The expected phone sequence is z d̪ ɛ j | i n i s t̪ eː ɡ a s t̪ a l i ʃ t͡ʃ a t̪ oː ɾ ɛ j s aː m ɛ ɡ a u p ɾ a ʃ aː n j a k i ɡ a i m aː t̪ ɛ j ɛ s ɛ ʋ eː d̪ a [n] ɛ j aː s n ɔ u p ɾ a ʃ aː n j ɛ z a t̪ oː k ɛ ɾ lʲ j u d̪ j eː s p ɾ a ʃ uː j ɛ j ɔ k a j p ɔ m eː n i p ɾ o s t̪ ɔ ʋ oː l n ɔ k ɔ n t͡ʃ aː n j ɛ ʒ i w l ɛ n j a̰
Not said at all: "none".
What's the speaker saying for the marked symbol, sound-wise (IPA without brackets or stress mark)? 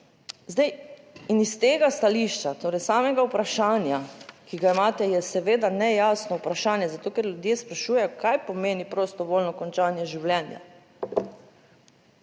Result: n